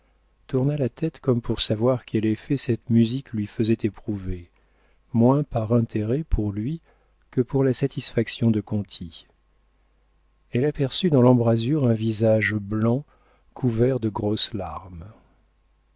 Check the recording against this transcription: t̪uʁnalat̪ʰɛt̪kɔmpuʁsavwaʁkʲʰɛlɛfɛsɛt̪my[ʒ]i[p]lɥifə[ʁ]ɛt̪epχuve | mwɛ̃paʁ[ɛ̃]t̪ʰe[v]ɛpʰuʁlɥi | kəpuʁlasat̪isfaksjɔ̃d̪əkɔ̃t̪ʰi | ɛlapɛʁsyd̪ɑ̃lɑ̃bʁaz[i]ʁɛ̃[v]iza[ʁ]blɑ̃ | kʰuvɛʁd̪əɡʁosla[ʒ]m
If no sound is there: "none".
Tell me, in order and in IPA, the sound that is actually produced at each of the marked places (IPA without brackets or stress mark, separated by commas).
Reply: z, k, z, ɛ̃, ʁ, y, v, ʒ, ʁ